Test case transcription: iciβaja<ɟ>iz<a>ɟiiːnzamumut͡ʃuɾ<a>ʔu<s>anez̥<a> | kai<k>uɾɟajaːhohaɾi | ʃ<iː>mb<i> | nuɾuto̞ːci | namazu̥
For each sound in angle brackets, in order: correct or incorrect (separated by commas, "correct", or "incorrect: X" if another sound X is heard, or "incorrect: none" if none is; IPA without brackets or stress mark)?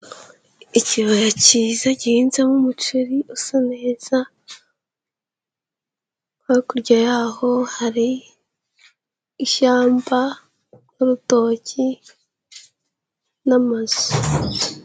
incorrect: c, correct, incorrect: i, correct, correct, correct, incorrect: aː, incorrect: a